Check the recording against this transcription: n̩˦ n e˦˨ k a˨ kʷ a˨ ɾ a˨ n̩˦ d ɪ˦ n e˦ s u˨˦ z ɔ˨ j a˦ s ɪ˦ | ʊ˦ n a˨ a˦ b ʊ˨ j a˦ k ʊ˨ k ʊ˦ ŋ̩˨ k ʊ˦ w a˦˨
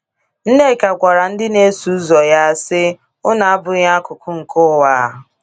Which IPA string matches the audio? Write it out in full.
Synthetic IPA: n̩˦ n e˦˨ k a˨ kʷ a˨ ɾ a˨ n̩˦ d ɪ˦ n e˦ s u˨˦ z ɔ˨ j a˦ s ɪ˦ | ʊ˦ n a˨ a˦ b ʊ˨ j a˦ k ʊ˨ k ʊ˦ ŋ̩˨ k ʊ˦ w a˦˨